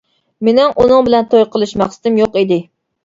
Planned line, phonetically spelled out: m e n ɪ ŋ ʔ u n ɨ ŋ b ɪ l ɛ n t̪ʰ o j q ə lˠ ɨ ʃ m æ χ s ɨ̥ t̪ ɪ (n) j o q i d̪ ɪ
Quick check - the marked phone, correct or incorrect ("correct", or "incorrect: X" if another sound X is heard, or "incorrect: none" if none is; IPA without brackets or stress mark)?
incorrect: m